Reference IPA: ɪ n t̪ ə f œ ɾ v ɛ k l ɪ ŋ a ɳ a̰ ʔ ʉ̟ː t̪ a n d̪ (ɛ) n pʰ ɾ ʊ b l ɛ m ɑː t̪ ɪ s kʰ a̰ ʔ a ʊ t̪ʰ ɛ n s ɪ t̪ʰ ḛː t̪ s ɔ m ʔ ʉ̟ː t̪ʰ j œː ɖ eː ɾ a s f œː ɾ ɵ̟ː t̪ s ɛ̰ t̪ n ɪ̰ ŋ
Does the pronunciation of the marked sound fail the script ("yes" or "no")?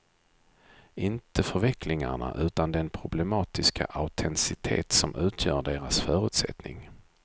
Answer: no